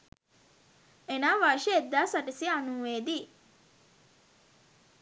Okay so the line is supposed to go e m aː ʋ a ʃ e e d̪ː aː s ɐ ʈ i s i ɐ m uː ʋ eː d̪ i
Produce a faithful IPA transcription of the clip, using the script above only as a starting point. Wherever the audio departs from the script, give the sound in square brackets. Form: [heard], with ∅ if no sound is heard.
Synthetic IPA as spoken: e [n] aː ʋ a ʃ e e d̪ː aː s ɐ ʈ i s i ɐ [n] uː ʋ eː d̪ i

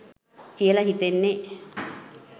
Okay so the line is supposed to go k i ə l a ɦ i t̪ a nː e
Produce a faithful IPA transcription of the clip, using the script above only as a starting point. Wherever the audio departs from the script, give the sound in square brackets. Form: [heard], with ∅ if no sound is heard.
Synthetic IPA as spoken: k i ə l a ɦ i t̪ [e] nː e

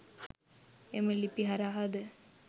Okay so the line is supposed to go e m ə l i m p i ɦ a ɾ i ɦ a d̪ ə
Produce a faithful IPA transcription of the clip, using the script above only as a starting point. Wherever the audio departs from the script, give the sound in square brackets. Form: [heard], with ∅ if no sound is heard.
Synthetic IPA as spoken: e m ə l i [∅] p i ɦ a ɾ [a] ɦ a d̪ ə

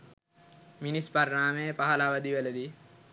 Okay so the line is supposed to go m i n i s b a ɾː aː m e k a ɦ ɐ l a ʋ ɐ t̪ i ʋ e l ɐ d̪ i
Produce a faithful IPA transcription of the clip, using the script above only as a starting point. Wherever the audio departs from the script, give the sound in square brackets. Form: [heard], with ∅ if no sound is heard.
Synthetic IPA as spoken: m i n i s [p] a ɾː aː m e [p] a ɦ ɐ l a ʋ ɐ [d̪] i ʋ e l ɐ d̪ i

